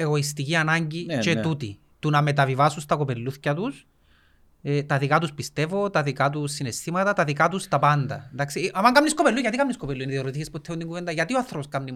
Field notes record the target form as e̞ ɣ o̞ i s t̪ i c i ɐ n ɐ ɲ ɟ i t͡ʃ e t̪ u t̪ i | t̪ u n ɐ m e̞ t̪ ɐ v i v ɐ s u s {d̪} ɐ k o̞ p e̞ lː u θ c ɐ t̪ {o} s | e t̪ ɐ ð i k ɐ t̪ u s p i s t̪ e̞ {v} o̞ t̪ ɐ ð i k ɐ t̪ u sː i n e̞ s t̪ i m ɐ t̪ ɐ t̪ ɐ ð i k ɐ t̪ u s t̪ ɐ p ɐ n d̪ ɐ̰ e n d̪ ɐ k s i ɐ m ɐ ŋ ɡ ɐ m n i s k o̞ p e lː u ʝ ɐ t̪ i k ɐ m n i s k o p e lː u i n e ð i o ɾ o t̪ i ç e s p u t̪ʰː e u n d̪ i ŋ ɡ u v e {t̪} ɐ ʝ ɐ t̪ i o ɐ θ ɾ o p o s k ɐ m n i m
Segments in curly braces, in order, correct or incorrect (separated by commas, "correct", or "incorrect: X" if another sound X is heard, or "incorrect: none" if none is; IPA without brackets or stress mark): incorrect: t̪, incorrect: u, correct, incorrect: d̪